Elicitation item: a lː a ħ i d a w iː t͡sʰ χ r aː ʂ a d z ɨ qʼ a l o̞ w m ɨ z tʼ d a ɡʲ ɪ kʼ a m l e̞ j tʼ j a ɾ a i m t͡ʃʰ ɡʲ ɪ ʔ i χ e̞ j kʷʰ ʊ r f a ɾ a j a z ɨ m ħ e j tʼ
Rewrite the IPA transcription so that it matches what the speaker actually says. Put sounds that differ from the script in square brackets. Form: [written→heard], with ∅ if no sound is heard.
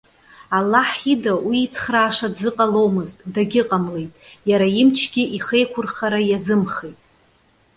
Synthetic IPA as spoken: a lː a ħ i d a w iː t͡sʰ χ r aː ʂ a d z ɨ qʼ a l o̞ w m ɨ z tʼ d a ɡʲ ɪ [kʼ→qʼ] a m l e̞ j tʼ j a ɾ a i m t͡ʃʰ ɡʲ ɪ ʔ i χ e̞ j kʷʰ ʊ r [f→χ] a ɾ a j a z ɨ m [ħ→χ] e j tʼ

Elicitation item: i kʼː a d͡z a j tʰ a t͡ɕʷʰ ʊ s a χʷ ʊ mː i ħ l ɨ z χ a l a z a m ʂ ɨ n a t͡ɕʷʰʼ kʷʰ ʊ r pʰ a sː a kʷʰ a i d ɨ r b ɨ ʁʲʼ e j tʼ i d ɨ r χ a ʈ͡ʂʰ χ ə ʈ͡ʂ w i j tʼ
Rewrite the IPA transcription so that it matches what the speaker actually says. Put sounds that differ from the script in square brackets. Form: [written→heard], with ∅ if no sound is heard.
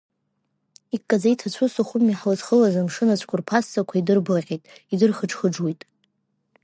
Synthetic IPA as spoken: i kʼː a d͡z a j tʰ a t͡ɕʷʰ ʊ s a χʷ ʊ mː i ħ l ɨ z χ [a→ə] l a z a m ʂ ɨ n a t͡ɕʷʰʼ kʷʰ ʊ r pʰ a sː a kʷʰ a i d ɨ r b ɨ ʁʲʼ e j tʼ i d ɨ r χ [a→ə] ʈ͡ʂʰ χ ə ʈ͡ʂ w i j tʼ

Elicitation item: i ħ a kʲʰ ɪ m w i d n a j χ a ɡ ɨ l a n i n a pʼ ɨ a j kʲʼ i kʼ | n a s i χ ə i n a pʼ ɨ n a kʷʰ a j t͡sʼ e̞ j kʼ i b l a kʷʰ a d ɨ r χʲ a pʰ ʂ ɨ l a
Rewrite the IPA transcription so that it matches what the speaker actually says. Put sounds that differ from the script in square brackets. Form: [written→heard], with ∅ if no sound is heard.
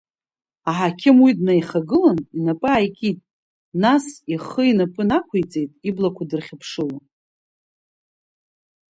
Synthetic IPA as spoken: [i→a] ħ a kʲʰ ɪ m w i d n a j χ a ɡ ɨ l a n i n a pʼ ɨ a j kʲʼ i [kʼ→tʼ] | n a s i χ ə i n a pʼ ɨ n a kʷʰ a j t͡sʼ e̞ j [kʼ→tʼ] i b l a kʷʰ a d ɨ r χʲ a pʰ ʂ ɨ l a

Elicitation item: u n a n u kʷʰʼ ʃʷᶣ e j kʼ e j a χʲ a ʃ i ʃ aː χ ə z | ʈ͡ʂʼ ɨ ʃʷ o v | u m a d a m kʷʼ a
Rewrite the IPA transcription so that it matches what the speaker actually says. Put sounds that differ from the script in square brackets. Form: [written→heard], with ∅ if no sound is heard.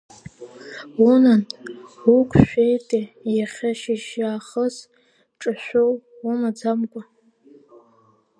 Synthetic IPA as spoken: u n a n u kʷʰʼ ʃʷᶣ e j [kʼ→tʼ] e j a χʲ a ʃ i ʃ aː χ ə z | ʈ͡ʂʼ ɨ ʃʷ o [v→w] | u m a [d→d͡z] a m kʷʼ a

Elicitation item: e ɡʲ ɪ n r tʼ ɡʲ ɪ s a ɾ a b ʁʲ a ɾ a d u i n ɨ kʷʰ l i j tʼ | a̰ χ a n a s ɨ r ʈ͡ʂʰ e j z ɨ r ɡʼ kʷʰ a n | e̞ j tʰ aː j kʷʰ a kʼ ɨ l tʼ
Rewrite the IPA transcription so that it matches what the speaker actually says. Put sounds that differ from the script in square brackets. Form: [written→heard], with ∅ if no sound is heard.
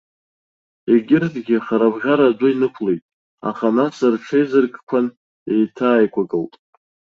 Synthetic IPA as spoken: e ɡʲ ɪ [n→∅] r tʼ ɡʲ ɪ [s→χ] a ɾ a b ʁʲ a ɾ a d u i n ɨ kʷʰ l [i→e] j tʼ | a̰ χ a n a s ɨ r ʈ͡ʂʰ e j z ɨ r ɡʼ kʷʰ a n | e̞ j tʰ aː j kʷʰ a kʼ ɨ l tʼ

